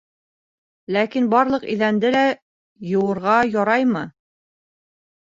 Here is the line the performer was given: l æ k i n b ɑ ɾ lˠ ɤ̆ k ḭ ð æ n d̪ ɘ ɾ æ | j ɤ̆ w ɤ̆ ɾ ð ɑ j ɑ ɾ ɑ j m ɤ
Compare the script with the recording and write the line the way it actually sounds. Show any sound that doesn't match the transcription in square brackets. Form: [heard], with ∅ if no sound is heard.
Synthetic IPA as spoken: l æ k i n b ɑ ɾ lˠ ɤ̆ [q] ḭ ð æ n d̪ ɘ [l] æ | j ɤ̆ w ɤ̆ ɾ [ʁ] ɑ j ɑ ɾ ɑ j m ɤ

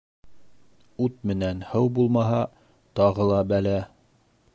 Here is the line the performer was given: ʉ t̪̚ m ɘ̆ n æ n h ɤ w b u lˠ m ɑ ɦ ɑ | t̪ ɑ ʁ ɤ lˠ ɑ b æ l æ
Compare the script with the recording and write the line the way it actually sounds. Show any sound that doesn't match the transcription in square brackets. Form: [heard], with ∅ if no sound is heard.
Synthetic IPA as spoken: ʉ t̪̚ m ɘ̆ n æ n h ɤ w b u lˠ m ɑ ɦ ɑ | t̪ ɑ ʁ ɤ lˠ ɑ b æ l æ

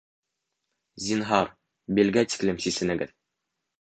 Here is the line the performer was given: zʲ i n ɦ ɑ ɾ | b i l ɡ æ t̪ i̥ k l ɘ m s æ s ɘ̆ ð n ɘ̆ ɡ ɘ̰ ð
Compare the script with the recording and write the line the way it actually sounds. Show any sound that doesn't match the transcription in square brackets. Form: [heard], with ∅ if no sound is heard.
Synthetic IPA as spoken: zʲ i n ɦ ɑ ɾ | b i l ɡ æ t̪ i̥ k l ɘ m s [i] s ɘ̆ [∅] n ɘ̆ ɡ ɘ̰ ð

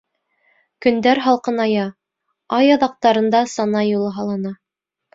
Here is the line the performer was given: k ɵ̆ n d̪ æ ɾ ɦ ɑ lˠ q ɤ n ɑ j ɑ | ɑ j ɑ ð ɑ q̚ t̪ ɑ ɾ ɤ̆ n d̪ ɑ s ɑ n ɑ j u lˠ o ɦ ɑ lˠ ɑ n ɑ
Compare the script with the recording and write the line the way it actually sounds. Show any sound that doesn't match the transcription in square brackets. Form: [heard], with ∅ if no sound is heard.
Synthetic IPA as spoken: k ɵ̆ n d̪ æ ɾ ɦ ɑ lˠ q ɤ n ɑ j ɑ | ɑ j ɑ ð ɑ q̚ t̪ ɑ ɾ ɤ̆ n d̪ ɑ s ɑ n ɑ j u lˠ [ɤ] ɦ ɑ lˠ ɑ n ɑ

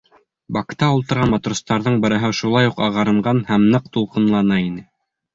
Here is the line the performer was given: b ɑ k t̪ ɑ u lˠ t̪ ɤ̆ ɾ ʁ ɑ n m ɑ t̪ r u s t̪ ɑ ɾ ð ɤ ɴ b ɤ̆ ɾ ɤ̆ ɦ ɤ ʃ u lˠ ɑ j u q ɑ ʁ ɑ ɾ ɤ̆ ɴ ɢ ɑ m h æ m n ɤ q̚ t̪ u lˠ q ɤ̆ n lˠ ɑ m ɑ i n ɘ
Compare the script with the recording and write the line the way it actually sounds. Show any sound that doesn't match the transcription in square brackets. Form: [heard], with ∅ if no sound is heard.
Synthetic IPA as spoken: b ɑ k t̪ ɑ u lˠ t̪ ɤ̆ ɾ ʁ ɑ n m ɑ t̪ r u s t̪ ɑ ɾ ð ɤ ɴ b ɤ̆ ɾ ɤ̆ ɦ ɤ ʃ u lˠ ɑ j u q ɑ ʁ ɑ ɾ ɤ̆ ɴ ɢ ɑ [n] h æ m n ɤ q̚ t̪ u lˠ q ɤ̆ n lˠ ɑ [n] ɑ i n ɘ

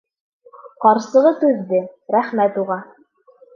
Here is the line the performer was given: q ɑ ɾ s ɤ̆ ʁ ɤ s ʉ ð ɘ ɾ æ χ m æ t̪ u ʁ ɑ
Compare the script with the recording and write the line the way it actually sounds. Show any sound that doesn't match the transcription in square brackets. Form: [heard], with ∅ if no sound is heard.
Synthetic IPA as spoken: q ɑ ɾ s ɤ̆ ʁ ɤ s ʉ [ðː] ɘ ɾ æ χ m æ t̪ u ʁ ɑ

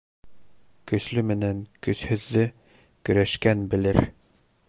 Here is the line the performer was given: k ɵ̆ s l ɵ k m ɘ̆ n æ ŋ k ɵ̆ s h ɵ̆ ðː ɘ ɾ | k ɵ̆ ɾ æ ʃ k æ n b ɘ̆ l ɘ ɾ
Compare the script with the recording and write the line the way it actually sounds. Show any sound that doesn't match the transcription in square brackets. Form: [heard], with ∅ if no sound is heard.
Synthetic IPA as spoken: k ɵ̆ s l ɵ [∅] m ɘ̆ n æ ŋ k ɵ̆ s h ɵ̆ ðː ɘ [∅] | k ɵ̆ ɾ æ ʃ k æ n b ɘ̆ l ɘ ɾ

